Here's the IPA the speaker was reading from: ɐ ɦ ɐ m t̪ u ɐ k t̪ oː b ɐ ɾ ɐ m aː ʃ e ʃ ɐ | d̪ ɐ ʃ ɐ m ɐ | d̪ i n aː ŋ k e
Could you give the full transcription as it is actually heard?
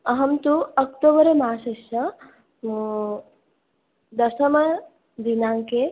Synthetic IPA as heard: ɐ ɦ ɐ m t̪ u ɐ k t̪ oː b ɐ ɾ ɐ m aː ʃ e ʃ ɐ | d̪ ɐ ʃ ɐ m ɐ | d̪ i n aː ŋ k e